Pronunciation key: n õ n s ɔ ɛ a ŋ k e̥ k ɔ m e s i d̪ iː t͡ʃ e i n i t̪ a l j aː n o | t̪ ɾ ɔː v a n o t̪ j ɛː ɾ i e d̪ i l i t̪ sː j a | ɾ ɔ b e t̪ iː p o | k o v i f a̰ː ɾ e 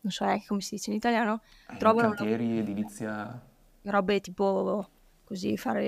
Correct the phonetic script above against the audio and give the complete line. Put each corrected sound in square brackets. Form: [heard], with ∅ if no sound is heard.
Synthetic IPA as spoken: n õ n s ɔ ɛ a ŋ k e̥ k [o] m e s i d̪ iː t͡ʃ e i n i t̪ a l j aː n o | t̪ ɾ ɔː v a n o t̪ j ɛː ɾ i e d̪ i l i t̪ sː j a | ɾ ɔ b e t̪ iː p o | k o [z] i f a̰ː ɾ e